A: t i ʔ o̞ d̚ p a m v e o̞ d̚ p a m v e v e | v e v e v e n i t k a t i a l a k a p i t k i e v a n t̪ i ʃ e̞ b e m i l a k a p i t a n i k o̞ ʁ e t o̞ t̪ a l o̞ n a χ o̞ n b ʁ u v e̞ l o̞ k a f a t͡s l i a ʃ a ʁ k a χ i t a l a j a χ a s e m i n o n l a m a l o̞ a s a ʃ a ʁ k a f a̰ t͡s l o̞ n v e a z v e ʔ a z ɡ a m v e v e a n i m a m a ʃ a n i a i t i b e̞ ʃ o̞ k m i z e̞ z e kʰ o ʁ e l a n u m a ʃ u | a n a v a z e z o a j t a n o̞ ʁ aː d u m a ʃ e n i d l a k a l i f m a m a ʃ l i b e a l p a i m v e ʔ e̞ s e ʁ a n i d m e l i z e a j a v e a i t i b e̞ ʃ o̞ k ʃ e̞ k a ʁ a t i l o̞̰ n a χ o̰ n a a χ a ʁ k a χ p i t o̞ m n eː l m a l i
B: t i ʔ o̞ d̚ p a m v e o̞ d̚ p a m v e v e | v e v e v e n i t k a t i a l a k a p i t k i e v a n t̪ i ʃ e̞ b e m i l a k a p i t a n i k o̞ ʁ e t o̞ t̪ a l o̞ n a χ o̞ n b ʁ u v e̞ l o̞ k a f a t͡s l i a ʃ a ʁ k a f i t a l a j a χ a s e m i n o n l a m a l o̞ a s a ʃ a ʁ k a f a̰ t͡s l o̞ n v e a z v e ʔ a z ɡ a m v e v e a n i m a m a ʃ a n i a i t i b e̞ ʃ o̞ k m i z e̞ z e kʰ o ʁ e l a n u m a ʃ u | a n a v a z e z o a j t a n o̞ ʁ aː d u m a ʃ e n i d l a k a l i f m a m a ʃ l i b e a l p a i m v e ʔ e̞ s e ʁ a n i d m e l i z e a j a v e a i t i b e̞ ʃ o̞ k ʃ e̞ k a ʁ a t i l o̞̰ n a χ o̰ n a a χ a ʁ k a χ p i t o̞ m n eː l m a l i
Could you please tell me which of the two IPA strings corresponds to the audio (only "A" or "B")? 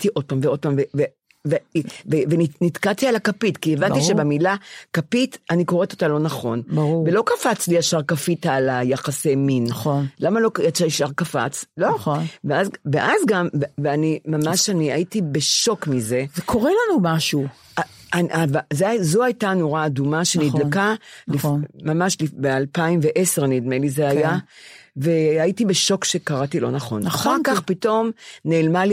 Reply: B